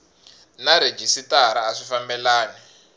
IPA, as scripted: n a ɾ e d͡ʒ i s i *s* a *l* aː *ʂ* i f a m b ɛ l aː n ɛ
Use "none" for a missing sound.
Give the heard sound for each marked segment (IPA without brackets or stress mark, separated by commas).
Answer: t, ɾ, ʂ